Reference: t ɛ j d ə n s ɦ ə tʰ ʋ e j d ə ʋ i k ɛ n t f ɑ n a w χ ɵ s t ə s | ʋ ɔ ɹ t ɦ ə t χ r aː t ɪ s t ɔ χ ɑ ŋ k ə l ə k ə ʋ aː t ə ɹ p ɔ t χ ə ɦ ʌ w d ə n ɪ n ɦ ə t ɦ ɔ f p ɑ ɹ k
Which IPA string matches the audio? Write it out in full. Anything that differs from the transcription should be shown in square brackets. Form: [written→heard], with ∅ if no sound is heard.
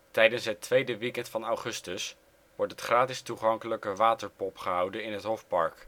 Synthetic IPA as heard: t ɛ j d ə n s ɦ ə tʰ ʋ e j d ə ʋ i k ɛ n t f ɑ n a w χ ɵ s t ə s | ʋ ɔ ɹ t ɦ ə t χ r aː t ɪ s t [ɔ→u] χ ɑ ŋ k ə l ə k ə ʋ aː t ə ɹ p ɔ [t→p] χ ə ɦ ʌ w d ə n ɪ n ɦ ə t ɦ ɔ f p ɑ ɹ k